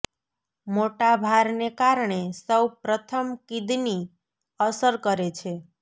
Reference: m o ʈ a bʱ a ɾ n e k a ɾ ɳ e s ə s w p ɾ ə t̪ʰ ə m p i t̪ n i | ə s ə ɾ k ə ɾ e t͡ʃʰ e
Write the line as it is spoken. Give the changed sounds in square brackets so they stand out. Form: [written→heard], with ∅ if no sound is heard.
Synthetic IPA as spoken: m o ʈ a bʱ a ɾ n e k a ɾ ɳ e s ə [s→∅] w p ɾ ə t̪ʰ ə m [p→k] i [t̪→d̪] n i | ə s ə ɾ k ə ɾ e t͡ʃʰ e